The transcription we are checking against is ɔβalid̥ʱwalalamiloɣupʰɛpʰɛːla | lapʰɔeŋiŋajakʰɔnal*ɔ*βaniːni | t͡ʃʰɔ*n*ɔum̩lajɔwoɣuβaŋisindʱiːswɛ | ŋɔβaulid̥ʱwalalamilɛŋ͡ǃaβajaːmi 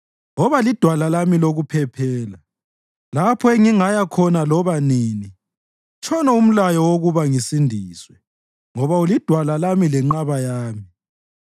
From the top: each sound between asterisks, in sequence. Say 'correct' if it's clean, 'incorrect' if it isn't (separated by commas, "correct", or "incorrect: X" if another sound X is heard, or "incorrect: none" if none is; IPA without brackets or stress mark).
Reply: correct, correct